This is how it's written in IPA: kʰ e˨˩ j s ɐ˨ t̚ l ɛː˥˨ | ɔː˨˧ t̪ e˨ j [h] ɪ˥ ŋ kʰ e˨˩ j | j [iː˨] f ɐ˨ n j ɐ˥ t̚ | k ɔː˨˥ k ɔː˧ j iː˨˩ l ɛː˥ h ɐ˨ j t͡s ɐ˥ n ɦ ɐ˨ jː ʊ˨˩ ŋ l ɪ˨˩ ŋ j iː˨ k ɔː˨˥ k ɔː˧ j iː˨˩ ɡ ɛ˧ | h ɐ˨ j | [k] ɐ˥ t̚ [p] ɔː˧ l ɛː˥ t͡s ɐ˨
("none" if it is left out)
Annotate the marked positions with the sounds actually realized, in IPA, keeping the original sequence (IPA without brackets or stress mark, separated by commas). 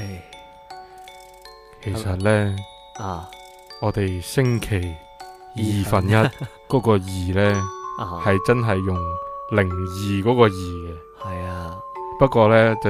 s, iː˨, p, k